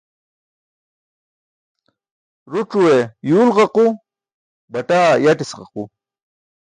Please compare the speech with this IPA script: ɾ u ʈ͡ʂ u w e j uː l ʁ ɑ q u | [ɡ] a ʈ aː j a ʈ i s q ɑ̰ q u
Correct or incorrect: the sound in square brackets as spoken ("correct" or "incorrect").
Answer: incorrect